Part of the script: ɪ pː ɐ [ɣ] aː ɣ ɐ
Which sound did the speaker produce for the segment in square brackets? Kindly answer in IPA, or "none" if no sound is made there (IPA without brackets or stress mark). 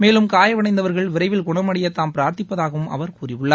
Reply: ð